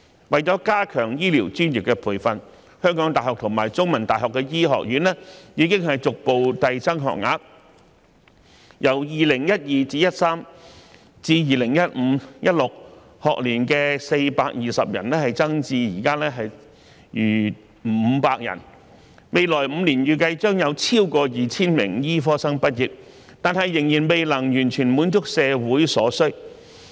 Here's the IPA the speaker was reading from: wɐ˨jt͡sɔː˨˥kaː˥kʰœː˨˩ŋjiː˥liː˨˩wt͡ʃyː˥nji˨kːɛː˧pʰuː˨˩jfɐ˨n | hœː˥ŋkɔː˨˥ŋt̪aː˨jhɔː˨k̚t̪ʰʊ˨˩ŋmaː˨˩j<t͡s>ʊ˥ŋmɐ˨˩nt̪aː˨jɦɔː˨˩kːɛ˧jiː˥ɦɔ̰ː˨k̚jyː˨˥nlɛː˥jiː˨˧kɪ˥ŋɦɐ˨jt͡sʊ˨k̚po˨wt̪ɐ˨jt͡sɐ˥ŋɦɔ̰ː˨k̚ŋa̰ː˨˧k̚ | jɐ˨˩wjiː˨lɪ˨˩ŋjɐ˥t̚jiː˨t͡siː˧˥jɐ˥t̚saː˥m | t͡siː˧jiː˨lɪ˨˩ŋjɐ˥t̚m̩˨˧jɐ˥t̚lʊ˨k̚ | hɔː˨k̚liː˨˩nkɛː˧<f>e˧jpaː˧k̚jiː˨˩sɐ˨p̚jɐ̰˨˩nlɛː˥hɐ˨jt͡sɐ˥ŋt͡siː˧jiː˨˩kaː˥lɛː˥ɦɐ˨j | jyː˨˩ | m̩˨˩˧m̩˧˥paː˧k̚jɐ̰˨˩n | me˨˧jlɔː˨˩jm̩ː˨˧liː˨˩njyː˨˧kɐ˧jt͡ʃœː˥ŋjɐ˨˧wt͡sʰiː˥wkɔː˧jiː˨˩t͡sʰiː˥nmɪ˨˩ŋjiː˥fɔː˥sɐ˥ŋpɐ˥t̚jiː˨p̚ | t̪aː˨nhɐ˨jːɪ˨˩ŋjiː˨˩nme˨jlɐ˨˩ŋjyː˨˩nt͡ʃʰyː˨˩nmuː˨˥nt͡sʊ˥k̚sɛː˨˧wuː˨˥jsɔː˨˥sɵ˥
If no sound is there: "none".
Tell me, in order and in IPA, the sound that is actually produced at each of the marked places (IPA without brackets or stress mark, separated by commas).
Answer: t͡s, s